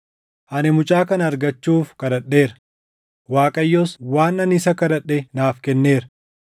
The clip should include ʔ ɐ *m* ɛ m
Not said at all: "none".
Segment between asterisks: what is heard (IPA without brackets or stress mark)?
n